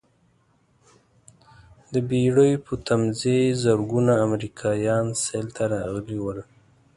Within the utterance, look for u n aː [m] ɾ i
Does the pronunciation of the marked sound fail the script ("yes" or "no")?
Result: no